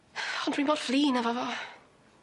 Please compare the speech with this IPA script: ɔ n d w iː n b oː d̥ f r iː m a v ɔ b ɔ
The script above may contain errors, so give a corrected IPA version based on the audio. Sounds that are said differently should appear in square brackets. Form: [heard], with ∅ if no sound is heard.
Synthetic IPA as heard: ɔ n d w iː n b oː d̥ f [l] iː [n] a v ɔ [v] ɔ